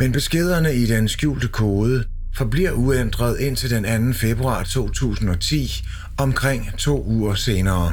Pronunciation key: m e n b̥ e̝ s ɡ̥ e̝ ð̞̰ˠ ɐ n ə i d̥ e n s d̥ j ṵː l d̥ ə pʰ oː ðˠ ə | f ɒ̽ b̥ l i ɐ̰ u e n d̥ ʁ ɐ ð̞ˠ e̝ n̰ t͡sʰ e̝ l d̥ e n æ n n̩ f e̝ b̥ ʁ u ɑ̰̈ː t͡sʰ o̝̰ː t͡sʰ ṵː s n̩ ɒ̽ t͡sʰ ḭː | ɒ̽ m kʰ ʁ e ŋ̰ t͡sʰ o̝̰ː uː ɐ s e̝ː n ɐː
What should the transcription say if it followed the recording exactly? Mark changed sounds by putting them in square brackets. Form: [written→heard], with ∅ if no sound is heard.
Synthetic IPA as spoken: m e n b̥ e̝ s ɡ̥ e̝ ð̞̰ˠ ɐ n ə i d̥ e n s [d̥→ɡ̥] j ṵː l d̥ ə [pʰ→kʰ] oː ðˠ ə | f ɒ̽ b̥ l i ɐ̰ u e n d̥ ʁ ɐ ð̞ˠ e̝ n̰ t͡sʰ e̝ l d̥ e n æ n n̩ f e̝ b̥ ʁ u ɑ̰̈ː t͡sʰ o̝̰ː t͡sʰ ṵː s n̩ ɒ̽ t͡sʰ ḭː | ɒ̽ m kʰ ʁ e ŋ̰ t͡sʰ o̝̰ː uː ɐ s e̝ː n ɐː